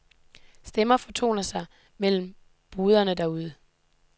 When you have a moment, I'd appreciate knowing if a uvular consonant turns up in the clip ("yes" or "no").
no